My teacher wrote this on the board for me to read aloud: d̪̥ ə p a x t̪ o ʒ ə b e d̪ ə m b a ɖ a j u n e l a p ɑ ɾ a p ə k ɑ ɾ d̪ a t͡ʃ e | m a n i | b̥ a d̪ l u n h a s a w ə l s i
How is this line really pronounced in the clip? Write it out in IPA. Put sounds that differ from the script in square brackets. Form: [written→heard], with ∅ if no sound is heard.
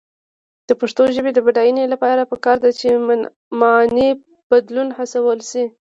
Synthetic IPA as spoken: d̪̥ ə p a [x→ʂ] t̪ o ʒ ə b e d̪ ə [m→∅] b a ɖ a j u n e l a p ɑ ɾ a p ə k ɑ ɾ d̪ a t͡ʃ e | m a n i | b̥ a d̪ l u n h a s a w ə l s i